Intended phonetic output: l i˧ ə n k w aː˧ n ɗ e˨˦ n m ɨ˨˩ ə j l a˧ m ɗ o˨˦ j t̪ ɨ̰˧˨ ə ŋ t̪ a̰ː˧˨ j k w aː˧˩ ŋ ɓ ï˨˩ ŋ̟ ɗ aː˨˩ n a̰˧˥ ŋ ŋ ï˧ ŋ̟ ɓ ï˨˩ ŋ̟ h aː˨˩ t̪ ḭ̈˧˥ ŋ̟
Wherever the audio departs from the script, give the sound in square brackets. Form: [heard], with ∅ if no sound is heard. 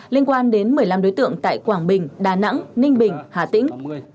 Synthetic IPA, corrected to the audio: l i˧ ə n k w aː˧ n ɗ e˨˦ n m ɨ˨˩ ə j l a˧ m ɗ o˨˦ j t̪ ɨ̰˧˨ ə ŋ t̪ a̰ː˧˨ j k w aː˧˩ ŋ ɓ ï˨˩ ŋ̟ ɗ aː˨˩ n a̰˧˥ ŋ [n] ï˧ ŋ̟ ɓ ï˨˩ ŋ̟ h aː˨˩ t̪ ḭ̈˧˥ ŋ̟